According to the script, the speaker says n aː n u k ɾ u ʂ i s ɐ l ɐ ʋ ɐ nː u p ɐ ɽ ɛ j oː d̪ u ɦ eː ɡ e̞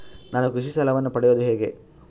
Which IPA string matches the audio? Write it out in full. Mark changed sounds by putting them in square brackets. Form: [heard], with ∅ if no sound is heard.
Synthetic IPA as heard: n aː n u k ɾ u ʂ i s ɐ l ɐ ʋ ɐ nː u p ɐ ɽ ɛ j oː d̪ u ɦ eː ɡ e̞